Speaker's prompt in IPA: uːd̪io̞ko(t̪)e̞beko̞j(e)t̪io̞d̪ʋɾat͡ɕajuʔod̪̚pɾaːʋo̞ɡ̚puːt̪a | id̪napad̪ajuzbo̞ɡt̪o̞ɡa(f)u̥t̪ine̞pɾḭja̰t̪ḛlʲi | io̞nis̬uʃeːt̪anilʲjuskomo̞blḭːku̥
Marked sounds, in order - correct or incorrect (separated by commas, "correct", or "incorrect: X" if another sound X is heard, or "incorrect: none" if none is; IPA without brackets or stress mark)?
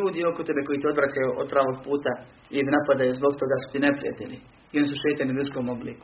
correct, incorrect: i, incorrect: s